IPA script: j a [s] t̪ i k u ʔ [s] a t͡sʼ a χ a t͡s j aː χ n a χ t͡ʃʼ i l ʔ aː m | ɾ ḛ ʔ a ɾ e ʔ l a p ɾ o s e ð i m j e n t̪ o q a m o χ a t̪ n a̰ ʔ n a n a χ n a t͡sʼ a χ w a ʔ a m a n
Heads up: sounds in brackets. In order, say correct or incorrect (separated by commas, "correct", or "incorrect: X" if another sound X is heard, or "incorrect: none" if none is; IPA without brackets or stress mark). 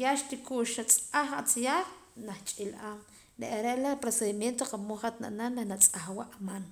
incorrect: ʃ, incorrect: ʃ